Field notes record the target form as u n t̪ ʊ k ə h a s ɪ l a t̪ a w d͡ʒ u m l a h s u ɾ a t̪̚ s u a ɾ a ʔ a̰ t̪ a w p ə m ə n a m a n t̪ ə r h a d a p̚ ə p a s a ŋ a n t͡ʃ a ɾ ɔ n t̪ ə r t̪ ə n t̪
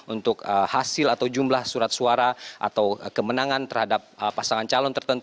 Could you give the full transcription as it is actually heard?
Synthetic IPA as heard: u n t̪ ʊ k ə h a s ɪ l a t̪ a w d͡ʒ u m l a h s u ɾ a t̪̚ s u a ɾ a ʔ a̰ t̪ a w k ə m ə n a ŋ a n t̪ ə r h a d a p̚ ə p a s a ŋ a n t͡ʃ a l ɔ n t̪ ə r t̪ ə n t̪